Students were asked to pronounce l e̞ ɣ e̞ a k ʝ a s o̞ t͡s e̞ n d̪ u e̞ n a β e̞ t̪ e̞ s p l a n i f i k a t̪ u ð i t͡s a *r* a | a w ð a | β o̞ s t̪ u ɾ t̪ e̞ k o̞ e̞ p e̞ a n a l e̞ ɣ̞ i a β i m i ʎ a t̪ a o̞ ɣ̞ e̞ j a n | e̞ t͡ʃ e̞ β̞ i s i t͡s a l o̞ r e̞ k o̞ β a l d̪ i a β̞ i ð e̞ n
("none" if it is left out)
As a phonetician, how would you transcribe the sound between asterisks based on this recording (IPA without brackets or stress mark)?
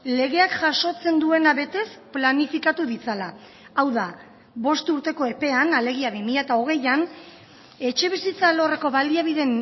l